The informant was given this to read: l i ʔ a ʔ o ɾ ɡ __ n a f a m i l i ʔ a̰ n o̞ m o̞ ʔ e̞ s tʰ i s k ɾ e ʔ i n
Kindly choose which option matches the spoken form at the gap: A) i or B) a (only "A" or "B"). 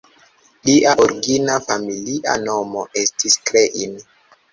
A